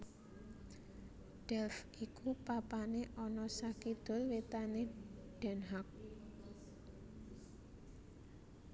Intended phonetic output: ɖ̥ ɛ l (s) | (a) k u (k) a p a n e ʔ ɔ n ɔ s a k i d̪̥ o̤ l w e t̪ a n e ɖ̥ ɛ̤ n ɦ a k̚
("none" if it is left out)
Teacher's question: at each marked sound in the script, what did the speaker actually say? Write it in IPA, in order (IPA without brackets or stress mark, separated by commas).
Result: f, i, p